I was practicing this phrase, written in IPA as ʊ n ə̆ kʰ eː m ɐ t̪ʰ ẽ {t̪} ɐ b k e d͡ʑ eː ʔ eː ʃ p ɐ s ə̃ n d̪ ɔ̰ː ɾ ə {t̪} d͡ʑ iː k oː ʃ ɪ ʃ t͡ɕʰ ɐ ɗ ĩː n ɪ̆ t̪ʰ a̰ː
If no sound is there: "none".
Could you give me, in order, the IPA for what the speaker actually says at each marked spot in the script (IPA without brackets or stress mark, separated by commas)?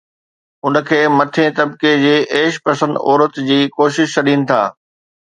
t̪, t̪